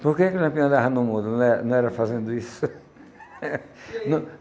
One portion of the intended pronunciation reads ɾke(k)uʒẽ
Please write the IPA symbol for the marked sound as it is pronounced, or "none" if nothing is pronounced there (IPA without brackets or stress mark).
k